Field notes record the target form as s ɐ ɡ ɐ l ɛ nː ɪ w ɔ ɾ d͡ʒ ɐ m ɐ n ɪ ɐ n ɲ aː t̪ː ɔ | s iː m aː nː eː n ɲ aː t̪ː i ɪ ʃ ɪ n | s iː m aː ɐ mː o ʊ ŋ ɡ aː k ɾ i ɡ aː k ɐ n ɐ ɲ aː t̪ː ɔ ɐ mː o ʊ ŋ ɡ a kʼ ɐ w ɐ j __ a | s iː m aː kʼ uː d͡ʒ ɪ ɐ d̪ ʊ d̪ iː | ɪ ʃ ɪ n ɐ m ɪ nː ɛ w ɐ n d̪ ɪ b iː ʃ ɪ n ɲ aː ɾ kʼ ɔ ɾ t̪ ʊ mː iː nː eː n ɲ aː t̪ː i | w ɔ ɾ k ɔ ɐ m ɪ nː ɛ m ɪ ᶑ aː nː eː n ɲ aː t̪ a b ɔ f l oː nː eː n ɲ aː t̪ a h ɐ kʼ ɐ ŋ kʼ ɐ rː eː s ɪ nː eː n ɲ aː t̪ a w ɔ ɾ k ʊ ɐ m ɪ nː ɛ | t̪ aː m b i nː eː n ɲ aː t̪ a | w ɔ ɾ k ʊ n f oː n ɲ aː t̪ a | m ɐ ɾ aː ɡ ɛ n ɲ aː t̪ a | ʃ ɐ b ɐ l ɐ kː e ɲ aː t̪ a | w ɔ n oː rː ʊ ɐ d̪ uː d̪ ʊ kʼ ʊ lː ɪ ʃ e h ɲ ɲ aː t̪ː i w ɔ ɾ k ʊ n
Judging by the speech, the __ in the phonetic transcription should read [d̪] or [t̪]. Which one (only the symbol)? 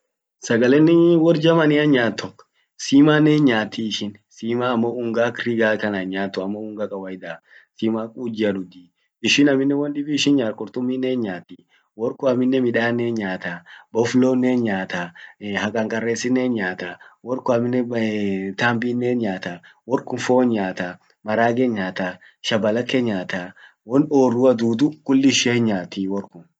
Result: d̪